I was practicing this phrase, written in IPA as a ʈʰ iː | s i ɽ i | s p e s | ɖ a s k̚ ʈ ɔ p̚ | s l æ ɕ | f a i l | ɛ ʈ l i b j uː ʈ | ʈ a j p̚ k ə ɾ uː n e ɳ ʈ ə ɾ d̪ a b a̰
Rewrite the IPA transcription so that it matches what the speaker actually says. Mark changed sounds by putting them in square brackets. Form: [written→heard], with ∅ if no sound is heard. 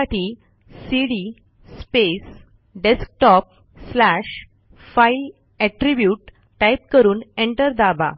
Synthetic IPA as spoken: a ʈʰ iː | s i ɽ i | s p e s | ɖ [a→e] s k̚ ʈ ɔ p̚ | s l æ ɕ | f a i l | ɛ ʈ [l→ɾ] i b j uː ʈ | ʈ a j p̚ k ə ɾ uː n e ɳ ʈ ə ɾ d̪ a b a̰